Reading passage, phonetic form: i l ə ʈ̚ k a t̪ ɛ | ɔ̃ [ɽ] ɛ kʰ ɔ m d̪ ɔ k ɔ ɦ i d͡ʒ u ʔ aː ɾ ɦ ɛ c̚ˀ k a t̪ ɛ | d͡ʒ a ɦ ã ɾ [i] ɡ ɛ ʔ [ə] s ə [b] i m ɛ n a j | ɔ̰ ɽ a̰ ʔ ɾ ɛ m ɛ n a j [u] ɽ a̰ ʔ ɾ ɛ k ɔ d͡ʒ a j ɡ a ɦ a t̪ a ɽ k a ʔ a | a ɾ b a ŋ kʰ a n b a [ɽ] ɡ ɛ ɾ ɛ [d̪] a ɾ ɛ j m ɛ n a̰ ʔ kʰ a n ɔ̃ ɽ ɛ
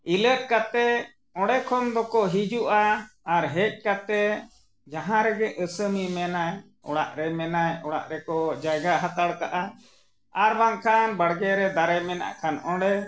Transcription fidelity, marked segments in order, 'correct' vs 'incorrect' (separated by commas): correct, incorrect, correct, incorrect, incorrect, correct, correct